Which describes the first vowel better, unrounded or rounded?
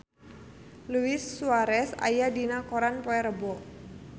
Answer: rounded